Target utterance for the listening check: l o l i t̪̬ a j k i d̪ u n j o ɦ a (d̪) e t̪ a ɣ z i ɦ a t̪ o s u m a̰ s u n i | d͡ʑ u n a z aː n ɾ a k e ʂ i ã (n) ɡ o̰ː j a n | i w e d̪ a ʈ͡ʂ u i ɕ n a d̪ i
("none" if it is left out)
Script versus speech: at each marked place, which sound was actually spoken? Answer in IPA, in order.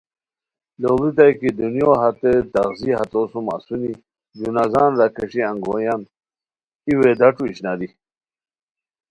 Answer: t̪, ŋ

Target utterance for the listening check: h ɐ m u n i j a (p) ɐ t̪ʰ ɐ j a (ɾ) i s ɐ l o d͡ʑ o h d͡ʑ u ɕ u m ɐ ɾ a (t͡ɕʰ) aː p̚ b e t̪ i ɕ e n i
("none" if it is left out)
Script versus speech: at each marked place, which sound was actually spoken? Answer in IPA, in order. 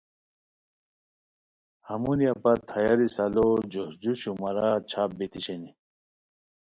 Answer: p, ɾ, t͡ɕʰ

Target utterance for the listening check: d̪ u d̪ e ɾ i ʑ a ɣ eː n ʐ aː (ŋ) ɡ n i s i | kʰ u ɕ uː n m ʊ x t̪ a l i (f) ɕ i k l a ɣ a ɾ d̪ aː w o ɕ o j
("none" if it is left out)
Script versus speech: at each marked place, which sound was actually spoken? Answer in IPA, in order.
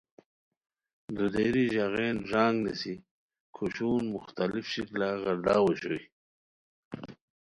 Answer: ŋ, f

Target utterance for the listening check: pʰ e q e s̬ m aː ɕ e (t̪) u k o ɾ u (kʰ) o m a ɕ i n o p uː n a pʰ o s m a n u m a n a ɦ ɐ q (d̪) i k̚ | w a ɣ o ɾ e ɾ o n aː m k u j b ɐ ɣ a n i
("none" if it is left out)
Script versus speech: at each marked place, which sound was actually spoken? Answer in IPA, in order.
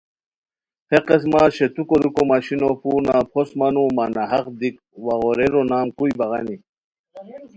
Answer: t̪, k, d̪

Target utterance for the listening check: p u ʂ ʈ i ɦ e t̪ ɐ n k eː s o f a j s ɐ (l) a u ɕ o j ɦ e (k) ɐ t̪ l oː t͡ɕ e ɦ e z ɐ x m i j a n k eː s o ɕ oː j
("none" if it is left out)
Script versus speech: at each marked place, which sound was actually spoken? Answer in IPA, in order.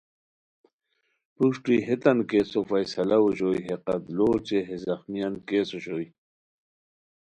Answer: l, q

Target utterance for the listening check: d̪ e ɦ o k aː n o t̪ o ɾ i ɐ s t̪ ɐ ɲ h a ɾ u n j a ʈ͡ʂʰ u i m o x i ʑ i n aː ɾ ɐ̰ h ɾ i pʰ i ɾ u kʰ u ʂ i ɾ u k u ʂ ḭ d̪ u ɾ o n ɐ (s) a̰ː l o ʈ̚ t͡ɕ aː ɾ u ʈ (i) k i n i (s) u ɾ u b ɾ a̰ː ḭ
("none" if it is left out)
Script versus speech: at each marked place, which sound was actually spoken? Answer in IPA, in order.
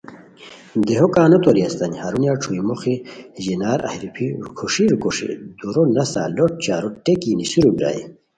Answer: s, e, s

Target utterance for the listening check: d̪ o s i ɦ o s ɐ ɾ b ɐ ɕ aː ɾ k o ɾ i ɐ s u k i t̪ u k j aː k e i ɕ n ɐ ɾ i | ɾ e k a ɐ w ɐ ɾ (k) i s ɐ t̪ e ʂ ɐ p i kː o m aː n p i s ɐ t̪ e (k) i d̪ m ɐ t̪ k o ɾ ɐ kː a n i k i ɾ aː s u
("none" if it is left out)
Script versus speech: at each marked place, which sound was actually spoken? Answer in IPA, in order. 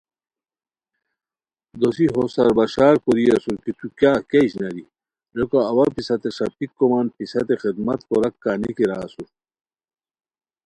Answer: p, x

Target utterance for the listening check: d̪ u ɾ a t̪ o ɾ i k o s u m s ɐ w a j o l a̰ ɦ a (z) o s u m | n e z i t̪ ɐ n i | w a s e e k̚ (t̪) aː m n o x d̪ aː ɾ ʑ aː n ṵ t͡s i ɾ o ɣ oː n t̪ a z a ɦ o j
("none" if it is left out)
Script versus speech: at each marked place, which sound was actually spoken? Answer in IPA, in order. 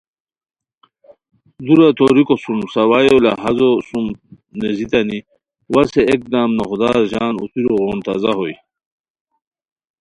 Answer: z, d̪

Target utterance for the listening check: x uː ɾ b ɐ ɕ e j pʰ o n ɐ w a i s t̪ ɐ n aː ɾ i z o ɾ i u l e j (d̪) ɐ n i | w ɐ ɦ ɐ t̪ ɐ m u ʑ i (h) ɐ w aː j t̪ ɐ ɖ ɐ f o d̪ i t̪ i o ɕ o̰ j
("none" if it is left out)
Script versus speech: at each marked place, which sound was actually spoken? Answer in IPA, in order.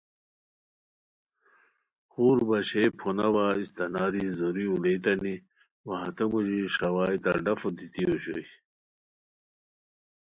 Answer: t̪, ʂ

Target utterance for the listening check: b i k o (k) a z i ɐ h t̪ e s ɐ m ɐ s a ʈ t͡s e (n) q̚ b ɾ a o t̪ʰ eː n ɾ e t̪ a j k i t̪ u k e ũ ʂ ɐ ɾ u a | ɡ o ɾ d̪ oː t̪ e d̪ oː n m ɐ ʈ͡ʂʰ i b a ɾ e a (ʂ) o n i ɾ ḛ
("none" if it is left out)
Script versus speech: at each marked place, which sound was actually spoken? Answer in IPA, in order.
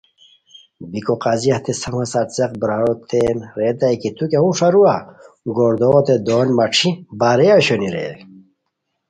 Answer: q, none, ɕ

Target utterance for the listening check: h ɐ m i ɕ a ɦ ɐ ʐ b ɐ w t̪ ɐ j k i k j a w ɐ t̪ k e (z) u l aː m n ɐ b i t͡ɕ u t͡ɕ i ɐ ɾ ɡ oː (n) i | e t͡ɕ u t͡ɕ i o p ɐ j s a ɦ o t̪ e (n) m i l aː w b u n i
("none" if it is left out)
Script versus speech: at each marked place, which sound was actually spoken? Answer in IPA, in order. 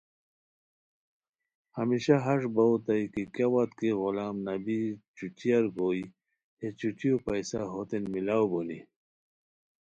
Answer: ɣ, none, n

